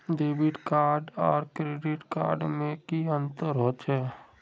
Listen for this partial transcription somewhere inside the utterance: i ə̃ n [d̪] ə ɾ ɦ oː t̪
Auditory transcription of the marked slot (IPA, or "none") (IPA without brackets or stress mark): t̪